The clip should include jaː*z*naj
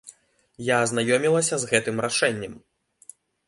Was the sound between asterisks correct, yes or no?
yes